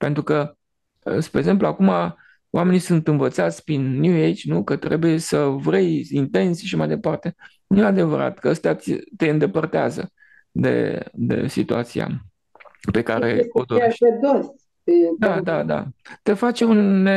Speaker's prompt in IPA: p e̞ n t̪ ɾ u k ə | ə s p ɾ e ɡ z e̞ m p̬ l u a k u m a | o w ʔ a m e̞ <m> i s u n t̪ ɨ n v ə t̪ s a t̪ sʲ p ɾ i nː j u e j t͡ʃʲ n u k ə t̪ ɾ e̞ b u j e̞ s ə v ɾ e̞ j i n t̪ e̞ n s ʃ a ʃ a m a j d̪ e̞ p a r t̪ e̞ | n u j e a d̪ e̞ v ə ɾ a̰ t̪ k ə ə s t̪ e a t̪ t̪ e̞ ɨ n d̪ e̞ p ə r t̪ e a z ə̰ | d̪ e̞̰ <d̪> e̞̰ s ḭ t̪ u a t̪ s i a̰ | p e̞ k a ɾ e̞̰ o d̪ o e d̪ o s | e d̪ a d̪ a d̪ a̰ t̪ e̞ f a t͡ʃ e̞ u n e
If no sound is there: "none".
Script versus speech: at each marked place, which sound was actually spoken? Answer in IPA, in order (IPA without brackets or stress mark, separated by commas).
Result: n, d̪